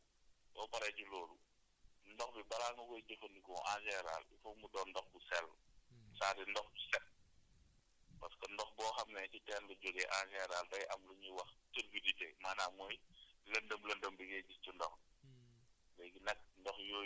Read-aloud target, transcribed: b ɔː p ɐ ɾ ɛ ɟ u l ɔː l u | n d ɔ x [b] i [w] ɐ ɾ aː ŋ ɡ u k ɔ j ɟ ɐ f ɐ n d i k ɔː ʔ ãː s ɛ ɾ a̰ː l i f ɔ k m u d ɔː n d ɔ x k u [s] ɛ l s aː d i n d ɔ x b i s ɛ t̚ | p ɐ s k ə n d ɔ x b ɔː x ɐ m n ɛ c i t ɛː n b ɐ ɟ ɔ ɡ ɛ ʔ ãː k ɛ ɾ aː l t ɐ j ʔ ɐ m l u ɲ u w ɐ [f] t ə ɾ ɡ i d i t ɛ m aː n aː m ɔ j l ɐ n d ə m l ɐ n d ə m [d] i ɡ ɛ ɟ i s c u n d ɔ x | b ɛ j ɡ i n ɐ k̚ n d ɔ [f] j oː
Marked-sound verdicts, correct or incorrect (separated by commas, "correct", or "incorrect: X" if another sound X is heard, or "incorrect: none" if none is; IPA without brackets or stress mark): correct, incorrect: b, correct, incorrect: x, incorrect: b, incorrect: x